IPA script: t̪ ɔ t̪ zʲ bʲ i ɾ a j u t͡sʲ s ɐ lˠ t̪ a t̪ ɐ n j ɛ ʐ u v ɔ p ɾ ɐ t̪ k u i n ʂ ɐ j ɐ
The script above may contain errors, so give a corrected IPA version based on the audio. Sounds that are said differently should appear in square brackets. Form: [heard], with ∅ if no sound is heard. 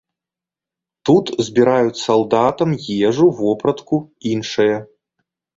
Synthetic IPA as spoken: t̪ [u] t̪ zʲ bʲ i ɾ a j u t͡sʲ s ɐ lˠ [d̪] a t̪ ɐ [m] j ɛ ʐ u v ɔ p ɾ ɐ t̪ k u i n ʂ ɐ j ɐ